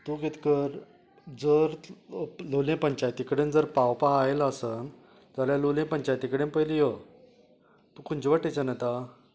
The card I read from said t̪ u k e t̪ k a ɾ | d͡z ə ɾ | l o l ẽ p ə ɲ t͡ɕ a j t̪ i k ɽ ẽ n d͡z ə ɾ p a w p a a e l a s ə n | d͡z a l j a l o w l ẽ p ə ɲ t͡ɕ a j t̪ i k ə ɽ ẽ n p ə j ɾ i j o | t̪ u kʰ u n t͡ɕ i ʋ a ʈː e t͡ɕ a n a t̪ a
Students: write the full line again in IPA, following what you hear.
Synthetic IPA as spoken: t̪ u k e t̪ k ə ɾ | d͡z ə ɾ | l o l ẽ p ə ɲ t͡ɕ a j t̪ i k ɽ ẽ n d͡z ə ɾ p a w p a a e l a s ə n | d͡z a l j a l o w l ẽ p ə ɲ t͡ɕ a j t̪ i k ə ɽ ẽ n p ə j l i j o | t̪ u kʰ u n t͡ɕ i ʋ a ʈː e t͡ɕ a n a t̪ a